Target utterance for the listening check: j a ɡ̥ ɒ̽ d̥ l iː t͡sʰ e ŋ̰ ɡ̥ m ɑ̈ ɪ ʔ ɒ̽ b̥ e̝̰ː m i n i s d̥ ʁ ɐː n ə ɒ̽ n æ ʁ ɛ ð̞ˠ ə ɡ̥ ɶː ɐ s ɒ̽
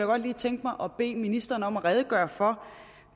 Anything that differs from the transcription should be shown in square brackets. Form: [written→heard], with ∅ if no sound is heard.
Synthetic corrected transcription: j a ɡ̥ ɒ̽ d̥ l iː t͡sʰ e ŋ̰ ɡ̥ m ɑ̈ ɪ ʔ ɒ̽ b̥ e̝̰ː m i n i s d̥ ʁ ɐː n ə ɒ̽ [n→m] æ ʁ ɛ ð̞ˠ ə ɡ̥ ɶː ɐ [s→f] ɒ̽